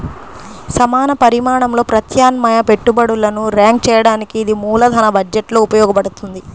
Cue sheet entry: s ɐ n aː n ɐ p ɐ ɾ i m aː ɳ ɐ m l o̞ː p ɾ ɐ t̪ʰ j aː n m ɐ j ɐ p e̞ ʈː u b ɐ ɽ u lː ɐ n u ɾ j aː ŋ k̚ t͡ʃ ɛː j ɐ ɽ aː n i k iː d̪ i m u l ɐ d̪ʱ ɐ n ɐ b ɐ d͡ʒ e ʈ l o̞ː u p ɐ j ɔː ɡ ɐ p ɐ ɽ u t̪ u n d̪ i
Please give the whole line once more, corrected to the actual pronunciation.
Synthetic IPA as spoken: s ɐ m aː n ɐ p ɐ ɾ i m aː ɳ ɐ m l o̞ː p ɾ ɐ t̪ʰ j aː n m ɐ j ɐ p e̞ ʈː u b ɐ ɽ u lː ɐ n u ɾ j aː ŋ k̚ t͡ʃ ɛː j ɐ ɽ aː n i k iː d̪ i m uː l ɐ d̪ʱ ɐ n ɐ b ɐ d͡ʒ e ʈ l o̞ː u p ɐ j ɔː ɡ ɐ p ɐ ɽ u t̪ u n d̪ i